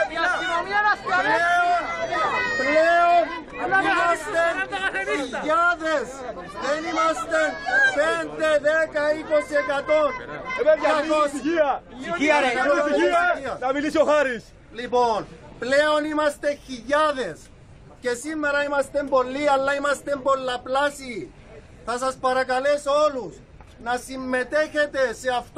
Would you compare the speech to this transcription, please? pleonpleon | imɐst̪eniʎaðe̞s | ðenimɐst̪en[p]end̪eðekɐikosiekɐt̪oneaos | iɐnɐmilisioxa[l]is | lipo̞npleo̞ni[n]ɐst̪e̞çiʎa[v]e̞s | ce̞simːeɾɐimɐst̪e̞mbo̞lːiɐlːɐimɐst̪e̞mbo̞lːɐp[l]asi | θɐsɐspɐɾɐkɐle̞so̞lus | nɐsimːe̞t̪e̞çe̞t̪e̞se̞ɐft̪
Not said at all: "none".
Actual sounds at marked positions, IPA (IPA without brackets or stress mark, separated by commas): p, ɾ, m, ð, l